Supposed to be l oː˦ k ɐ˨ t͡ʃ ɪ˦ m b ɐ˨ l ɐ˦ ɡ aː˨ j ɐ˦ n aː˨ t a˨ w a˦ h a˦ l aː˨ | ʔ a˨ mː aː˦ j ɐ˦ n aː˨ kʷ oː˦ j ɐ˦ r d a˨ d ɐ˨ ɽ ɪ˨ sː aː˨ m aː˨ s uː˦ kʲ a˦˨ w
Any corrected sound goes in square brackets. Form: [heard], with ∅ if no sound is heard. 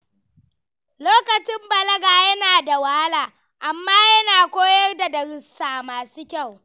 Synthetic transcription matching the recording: l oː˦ k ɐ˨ t͡ʃ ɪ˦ m b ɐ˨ l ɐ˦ ɡ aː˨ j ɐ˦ n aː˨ [d] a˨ w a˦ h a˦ l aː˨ | ʔ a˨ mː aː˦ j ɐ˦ n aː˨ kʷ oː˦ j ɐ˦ r d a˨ d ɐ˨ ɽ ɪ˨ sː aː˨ m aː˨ s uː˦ kʲ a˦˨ w